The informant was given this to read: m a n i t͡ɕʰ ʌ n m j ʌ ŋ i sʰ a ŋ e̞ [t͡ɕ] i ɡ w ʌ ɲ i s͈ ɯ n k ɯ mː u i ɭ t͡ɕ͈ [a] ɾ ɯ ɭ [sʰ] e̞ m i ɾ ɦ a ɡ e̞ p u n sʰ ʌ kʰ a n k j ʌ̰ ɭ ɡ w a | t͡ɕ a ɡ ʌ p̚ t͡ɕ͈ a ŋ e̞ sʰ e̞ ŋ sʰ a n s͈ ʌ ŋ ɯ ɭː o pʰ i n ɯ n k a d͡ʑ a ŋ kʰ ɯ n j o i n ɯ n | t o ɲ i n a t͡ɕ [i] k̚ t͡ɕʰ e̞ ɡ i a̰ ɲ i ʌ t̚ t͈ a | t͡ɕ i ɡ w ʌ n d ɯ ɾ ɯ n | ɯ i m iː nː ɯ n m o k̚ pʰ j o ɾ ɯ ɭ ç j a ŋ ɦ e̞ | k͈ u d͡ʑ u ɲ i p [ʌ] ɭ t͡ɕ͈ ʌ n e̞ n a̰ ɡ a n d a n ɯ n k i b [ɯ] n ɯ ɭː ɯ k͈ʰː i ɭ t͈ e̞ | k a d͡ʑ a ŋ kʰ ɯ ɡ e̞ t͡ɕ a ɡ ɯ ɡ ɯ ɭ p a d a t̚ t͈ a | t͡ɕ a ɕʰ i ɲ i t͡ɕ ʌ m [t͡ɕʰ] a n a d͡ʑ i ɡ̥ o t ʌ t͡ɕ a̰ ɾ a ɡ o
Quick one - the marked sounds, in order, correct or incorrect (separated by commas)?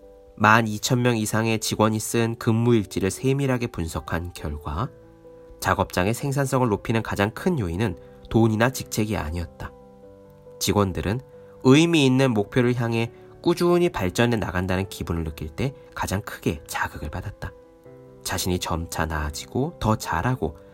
correct, incorrect, correct, correct, incorrect, incorrect, correct